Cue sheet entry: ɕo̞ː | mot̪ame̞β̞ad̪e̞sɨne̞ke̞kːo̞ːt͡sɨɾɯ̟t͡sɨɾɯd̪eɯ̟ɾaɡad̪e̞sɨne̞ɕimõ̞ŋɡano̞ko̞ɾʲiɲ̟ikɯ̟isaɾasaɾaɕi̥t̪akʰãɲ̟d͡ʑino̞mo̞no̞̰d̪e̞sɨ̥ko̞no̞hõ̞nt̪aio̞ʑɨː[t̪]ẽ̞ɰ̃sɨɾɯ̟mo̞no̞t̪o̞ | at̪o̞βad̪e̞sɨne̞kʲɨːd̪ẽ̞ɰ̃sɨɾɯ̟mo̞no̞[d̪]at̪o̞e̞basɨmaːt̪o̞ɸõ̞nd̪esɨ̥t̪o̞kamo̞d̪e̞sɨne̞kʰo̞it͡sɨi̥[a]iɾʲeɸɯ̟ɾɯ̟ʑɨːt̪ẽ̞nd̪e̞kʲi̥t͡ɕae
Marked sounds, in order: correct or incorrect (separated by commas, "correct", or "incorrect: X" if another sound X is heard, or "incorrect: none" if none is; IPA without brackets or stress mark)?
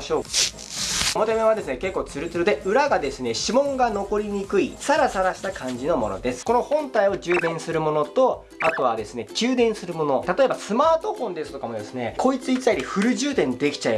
incorrect: d̪, incorrect: t̪, correct